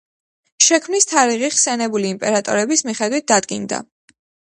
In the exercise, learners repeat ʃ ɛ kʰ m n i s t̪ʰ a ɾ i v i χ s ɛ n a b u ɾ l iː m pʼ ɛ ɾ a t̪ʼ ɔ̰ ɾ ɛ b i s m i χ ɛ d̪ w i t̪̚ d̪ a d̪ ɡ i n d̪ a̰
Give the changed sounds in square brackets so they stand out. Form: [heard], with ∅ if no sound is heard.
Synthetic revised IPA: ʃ ɛ kʰ m n i s t̪ʰ a ɾ i [ʁ] i χ s ɛ n [ɛ] b u [∅] l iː m pʼ ɛ ɾ a t̪ʼ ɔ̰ ɾ ɛ b i s m i χ ɛ d̪ w i t̪̚ d̪ a d̪ ɡ i n d̪ a̰